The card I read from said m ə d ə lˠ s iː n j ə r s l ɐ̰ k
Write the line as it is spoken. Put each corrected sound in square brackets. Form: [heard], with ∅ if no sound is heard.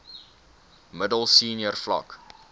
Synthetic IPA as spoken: m ə d ə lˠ s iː n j ə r [f] l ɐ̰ k